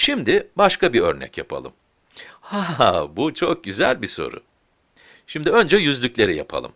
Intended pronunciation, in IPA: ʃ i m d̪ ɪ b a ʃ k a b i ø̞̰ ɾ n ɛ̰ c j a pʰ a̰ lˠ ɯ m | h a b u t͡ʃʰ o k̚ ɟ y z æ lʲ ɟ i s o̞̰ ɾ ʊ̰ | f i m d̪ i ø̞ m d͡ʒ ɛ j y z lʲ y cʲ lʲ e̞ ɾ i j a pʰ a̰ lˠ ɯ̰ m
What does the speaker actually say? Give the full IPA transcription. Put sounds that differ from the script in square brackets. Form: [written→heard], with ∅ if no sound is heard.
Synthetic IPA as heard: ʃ i m d̪ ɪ b a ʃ k a b i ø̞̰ ɾ n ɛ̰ c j a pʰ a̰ lˠ ɯ m | h a b u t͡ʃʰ o k̚ ɟ y z æ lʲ [ɟ→b] i s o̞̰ ɾ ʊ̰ | [f→ʃ] i m d̪ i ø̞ [m→n] d͡ʒ ɛ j y z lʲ y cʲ lʲ e̞ ɾ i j a pʰ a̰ lˠ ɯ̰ m